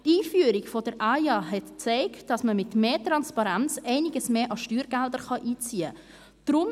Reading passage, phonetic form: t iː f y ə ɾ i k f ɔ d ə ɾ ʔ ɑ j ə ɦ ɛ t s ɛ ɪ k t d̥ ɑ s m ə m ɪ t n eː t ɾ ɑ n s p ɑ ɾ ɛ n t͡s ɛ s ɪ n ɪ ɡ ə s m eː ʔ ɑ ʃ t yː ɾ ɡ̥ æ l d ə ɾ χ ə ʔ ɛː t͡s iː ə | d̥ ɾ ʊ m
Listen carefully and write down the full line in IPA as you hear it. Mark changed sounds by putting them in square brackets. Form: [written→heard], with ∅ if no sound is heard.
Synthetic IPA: t iː f y ə ɾ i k f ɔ d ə ɾ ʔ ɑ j [ə→ɑ] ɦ ɛ t [s→t͡s] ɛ ɪ k t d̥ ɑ s m ə m ɪ t [n→m] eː t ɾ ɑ n s p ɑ ɾ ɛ n t͡s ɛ [s→∅] ɪ n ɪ ɡ ə s m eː ʔ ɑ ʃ t yː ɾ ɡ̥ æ l d ə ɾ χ [ə→ɑ] ʔ [ɛː→iː] t͡s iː ə | d̥ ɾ ʊ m

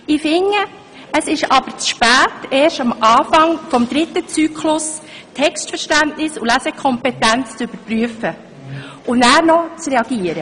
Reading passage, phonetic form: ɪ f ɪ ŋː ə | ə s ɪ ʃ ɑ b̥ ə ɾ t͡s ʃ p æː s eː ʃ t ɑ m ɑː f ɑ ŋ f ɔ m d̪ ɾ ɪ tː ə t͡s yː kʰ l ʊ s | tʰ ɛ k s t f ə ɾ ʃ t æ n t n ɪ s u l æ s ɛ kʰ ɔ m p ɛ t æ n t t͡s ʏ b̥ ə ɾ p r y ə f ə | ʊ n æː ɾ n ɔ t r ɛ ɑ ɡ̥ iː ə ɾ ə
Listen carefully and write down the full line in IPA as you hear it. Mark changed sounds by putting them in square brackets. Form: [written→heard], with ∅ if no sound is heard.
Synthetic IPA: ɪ f ɪ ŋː ə | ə s ɪ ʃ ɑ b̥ ə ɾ t͡s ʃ p æː [s→t] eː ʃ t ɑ m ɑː f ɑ ŋ f ɔ m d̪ ɾ ɪ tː ə t͡s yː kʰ l ʊ s | tʰ ɛ k s t f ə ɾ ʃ t æ n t n ɪ s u l æ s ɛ kʰ ɔ m p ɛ t æ n [t→t͡s] t͡s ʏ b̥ ə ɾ p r y ə f ə | ʊ n æː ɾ n ɔ [t→t͡s] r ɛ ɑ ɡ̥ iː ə ɾ ə

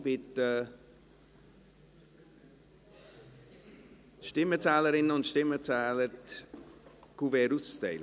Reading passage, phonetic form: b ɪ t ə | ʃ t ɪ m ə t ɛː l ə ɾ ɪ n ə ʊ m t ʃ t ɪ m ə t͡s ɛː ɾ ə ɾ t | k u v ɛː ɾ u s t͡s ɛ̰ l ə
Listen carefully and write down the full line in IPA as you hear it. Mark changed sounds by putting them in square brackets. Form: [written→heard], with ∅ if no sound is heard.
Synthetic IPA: b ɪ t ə | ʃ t ɪ m ə [t→t͡s] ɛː l ə ɾ ɪ n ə ʊ [m→n] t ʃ t ɪ m ə t͡s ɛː [ɾ→l] ə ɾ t | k u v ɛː ɾ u s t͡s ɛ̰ l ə

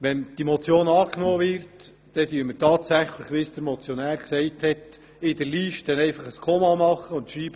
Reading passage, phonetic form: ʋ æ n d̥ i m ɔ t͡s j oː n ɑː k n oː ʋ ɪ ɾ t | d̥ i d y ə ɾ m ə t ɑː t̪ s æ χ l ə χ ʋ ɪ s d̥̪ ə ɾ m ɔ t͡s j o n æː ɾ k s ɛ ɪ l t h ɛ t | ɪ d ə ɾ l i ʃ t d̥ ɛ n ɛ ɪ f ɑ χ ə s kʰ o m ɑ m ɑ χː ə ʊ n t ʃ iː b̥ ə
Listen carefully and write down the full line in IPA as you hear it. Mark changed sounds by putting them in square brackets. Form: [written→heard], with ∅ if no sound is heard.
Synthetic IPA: ʋ [æ→ɛ] n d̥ i m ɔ t͡s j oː n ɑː k n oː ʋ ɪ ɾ t | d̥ [i→ɛ] d y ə ɾ m ə t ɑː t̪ s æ χ l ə χ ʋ ɪ s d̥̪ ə ɾ m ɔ t͡s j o n æː ɾ k s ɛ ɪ [l→∅] t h ɛ t | ɪ d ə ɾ l i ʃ t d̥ ɛ n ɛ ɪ f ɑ χ ə s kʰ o m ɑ m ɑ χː ə ʊ n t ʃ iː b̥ ə

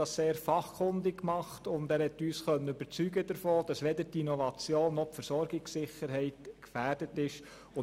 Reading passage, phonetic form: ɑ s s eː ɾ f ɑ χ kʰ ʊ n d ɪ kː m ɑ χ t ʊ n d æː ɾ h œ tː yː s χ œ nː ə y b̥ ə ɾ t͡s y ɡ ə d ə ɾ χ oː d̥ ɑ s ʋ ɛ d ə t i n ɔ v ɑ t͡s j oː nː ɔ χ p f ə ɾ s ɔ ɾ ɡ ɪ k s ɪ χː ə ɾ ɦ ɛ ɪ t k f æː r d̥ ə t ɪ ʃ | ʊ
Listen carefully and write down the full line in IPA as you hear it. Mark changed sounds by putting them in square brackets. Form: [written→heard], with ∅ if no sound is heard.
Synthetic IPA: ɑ s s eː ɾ f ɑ χ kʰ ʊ n d ɪ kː m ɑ χ t ʊ n d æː ɾ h [œ→ɛ] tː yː s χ œ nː ə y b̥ ə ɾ t͡s y ɡ ə d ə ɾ [χ→f] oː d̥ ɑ s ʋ ɛ d ə t i n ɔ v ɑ t͡s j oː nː ɔ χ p f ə ɾ s ɔ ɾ ɡ ɪ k s ɪ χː ə ɾ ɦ ɛ ɪ t k f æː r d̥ ə t ɪ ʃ | ʊ

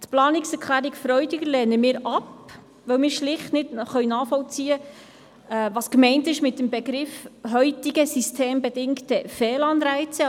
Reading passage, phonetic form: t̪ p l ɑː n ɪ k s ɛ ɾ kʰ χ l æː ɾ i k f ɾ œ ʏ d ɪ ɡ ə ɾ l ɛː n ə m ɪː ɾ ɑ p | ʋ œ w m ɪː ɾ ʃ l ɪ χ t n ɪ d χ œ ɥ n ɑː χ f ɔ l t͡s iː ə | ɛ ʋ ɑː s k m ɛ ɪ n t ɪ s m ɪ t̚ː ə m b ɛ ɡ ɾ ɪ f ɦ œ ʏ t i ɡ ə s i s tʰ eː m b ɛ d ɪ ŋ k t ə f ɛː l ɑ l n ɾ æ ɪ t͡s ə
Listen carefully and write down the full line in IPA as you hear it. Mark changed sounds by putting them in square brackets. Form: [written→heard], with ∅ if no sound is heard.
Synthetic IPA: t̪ p l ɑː n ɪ k s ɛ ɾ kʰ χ l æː ɾ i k f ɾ œ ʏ d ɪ ɡ ə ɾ l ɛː n ə m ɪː ɾ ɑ p | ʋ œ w m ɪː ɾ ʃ l ɪ χ t n ɪ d χ œ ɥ n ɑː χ f ɔ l t͡s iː ə | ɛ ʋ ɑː s k m ɛ ɪ n t ɪ [s→ʃ] m ɪ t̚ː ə m b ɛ ɡ ɾ ɪ f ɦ œ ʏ t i ɡ ə s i s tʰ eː m b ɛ d ɪ ŋ k t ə f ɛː l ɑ [l→∅] n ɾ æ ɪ t͡s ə

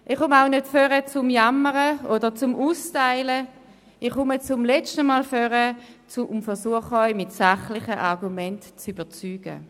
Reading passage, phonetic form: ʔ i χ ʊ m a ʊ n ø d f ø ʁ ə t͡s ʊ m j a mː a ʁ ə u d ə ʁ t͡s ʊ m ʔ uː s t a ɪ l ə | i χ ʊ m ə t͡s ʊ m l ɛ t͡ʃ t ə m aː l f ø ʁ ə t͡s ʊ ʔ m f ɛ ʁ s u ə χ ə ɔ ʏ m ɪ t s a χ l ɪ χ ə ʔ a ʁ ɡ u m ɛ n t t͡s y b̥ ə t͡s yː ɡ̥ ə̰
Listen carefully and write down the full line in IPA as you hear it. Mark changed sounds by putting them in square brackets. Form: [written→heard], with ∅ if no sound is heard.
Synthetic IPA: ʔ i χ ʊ m a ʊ n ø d f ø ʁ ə t͡s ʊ m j a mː [a→ə] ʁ ə [u→o] d ə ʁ t͡s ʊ m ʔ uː s t a ɪ l ə | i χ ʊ m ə t͡s ʊ m l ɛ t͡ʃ t ə m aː l f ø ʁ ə t͡s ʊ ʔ m f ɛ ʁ s u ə χ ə ɔ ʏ m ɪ t s a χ l ɪ χ ə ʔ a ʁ ɡ u m ɛ n t t͡s y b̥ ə t͡s yː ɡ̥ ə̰

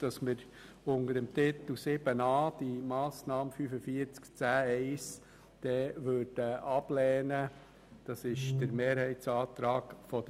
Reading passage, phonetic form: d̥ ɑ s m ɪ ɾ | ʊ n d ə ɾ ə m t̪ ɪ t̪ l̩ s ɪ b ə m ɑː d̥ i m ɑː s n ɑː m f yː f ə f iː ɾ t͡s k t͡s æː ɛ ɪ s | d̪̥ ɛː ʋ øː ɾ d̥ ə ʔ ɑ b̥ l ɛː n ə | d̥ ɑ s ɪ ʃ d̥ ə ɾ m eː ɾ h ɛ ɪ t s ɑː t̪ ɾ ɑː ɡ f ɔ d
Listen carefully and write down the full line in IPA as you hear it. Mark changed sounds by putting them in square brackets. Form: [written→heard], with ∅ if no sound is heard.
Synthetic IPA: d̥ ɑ s m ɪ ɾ | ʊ n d ə ɾ ə m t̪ ɪ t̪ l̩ s ɪ b ə [m→n] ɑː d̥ i m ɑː s n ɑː m f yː f ə f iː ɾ t͡s k t͡s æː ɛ ɪ s | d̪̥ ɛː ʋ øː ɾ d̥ ə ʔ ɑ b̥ l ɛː n ə | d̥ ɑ s ɪ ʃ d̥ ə ɾ m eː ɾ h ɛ ɪ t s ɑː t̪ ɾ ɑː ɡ f ɔ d

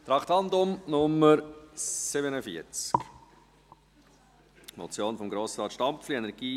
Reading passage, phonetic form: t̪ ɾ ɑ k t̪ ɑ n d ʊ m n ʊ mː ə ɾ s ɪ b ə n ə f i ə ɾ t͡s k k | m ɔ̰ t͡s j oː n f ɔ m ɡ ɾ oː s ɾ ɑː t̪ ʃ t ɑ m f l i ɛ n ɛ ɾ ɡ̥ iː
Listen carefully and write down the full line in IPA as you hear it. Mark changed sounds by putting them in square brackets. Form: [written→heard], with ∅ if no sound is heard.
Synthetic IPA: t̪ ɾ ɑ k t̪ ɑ n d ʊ m n ʊ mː ə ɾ s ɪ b ə n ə f i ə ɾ t͡s k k | m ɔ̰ t͡s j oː n f ɔ m ɡ ɾ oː s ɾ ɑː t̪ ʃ t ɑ m f l i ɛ n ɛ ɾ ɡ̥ iː

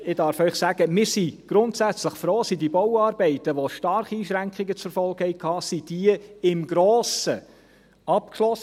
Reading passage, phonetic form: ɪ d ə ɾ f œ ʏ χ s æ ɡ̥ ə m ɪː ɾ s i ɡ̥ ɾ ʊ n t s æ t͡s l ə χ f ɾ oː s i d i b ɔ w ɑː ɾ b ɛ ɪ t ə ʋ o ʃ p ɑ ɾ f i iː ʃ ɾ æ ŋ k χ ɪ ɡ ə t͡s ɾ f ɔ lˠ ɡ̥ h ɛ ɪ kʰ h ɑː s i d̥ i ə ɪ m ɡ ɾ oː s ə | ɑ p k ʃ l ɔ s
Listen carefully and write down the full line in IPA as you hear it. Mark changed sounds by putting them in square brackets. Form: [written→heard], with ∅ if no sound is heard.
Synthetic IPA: ɪ d [ə→ɑ] ɾ f œ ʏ χ s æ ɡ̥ ə m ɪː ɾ s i ɡ̥ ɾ ʊ n t s æ t͡s l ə χ f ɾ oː s i d i b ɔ w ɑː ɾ b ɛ ɪ t ə ʋ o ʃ [p→t] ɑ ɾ [f→χ] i iː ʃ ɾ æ ŋ k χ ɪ ɡ ə t͡s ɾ f ɔ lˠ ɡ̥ h ɛ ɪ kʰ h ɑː s i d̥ i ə ɪ m ɡ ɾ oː s ə | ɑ p k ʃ l ɔ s

